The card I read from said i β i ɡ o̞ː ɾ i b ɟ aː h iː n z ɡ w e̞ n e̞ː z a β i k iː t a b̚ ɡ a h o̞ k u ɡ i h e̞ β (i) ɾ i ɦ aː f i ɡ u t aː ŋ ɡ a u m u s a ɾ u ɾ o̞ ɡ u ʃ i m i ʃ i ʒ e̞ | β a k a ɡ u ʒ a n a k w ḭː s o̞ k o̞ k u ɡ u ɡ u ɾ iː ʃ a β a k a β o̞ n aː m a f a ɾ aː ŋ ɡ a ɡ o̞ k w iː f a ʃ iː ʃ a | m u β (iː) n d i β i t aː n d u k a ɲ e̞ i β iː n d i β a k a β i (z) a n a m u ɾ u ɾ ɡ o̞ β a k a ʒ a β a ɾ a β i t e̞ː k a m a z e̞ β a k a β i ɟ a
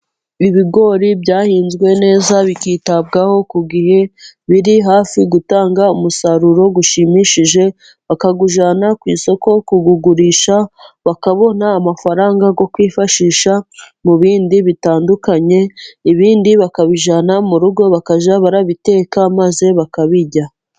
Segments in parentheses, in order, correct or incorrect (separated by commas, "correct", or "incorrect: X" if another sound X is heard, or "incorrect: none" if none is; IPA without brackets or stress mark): correct, correct, incorrect: ʒ